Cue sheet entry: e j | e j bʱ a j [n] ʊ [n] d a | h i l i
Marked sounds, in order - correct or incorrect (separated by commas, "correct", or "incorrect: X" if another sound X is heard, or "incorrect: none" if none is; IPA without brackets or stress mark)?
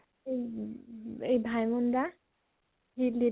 incorrect: m, correct